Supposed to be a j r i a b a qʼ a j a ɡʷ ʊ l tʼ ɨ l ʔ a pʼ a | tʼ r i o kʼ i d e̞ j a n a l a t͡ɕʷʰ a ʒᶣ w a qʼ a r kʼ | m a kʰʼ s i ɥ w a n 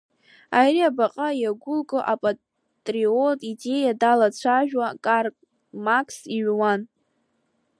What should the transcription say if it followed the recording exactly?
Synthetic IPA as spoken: a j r i a b a qʼ a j a ɡʷ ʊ l kʼ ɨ ʔ a pʼ a | tʼ r i o tʼ i d e̞ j a d a l a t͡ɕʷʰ a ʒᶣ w a kʼ a r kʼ | m a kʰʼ s i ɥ w a n